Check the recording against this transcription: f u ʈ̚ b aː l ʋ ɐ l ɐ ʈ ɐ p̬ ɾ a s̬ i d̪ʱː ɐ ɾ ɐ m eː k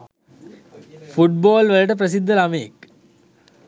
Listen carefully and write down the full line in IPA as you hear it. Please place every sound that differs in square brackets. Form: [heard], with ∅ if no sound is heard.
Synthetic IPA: f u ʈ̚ b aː l ʋ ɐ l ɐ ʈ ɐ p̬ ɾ [ɐ] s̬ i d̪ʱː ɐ [l] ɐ m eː k